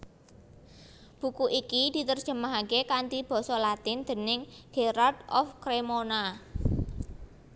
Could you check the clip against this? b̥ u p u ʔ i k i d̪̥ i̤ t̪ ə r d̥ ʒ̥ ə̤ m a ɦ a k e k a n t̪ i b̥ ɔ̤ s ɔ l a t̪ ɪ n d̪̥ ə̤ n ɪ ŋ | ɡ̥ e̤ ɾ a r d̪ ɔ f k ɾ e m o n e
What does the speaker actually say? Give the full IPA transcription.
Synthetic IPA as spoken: b̥ u k u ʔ i k i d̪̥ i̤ t̪ ə r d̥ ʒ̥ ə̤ m a ɦ a k e k a n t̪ i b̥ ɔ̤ s ɔ l a t̪ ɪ n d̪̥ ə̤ n ɪ ŋ | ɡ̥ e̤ ɾ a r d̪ ɔ f k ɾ e m o n a